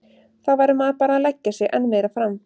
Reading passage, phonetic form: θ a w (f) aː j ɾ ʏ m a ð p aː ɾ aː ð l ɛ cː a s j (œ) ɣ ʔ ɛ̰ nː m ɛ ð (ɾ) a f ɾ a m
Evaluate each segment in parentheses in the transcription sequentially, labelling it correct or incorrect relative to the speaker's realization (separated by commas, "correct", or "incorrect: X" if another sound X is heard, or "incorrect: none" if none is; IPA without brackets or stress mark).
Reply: incorrect: v, incorrect: ɛ, correct